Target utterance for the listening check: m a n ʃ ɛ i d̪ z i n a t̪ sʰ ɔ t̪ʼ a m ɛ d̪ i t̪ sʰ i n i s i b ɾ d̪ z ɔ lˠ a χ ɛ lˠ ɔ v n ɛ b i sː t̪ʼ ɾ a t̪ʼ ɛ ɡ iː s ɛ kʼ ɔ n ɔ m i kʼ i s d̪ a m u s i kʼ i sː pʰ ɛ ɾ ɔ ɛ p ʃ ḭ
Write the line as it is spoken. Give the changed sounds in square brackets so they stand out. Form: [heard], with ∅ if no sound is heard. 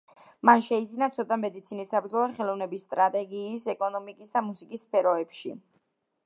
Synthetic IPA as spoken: m a n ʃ ɛ i d̪ z i n a t̪ sʰ ɔ t̪ʼ a m ɛ d̪ i t̪ sʰ i n i s [a] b ɾ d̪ z ɔ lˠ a χ ɛ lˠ ɔ v n ɛ b i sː t̪ʼ ɾ a t̪ʼ ɛ ɡ iː s ɛ kʼ ɔ n ɔ m i kʼ i s d̪ a m u s i kʼ i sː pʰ ɛ ɾ ɔ ɛ p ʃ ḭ